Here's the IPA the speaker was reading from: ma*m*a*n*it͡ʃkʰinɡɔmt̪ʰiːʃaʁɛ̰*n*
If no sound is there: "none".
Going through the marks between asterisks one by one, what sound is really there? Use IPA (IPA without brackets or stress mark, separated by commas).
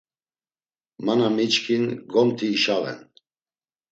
n, m, n